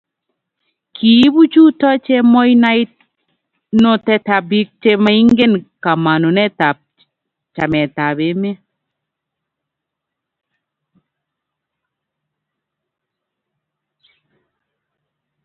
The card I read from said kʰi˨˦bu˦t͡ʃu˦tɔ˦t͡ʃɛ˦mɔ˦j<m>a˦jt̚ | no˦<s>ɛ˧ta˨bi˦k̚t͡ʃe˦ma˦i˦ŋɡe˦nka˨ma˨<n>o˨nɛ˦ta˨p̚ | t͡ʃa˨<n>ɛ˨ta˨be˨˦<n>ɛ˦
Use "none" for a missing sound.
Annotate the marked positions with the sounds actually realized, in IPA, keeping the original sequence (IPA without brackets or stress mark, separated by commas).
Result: n, t, n, m, m